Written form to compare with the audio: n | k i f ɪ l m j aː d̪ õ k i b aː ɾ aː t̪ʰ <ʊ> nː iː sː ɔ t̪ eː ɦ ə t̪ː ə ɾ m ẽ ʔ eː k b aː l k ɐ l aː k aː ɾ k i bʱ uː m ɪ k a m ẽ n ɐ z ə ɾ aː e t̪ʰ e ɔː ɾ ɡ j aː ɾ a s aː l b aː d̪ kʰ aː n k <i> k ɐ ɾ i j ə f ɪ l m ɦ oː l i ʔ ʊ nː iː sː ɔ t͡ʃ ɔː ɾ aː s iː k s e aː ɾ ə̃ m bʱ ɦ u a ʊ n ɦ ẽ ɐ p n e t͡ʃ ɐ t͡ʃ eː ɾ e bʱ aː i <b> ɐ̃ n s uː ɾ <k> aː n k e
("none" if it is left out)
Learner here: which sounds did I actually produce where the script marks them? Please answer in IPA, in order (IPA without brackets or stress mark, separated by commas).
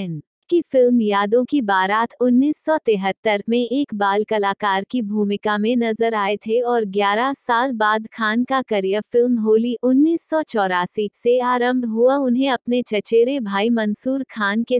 ʊ, a, m, kʰ